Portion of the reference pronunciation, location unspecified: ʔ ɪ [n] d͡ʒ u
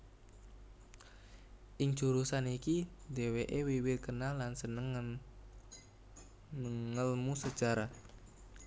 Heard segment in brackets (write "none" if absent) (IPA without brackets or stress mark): ŋ